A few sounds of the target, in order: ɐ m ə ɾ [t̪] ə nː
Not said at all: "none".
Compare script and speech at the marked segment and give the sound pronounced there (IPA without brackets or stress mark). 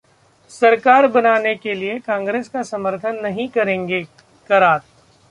t̪ʰ